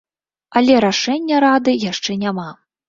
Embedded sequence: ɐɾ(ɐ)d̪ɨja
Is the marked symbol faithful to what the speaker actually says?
no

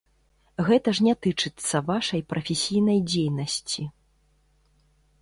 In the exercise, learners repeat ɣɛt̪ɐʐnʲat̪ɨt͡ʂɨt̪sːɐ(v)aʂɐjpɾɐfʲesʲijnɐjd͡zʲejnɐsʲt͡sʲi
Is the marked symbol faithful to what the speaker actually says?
yes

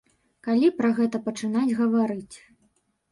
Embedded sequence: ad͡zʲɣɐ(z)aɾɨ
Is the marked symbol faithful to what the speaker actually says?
no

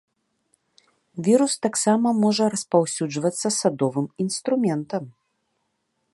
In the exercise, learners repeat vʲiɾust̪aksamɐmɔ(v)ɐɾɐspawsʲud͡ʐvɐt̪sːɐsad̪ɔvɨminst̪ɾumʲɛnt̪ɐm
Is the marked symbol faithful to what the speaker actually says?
no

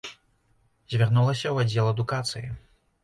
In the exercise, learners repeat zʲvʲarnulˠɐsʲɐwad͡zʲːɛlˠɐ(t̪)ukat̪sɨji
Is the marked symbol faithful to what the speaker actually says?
no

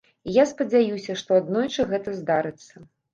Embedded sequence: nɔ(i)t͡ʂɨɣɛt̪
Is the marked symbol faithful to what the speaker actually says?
no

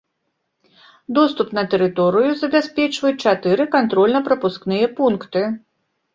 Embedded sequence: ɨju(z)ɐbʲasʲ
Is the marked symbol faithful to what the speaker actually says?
yes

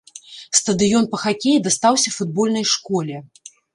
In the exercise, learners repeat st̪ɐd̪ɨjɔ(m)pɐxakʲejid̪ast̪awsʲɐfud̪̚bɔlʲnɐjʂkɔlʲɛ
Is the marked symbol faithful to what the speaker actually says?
no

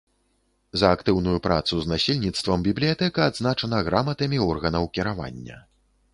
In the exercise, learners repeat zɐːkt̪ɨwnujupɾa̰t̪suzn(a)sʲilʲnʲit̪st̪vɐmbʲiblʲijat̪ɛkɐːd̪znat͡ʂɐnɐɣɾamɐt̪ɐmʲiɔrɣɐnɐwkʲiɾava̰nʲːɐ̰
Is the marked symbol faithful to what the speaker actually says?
yes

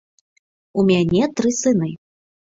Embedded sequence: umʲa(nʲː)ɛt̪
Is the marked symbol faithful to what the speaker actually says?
no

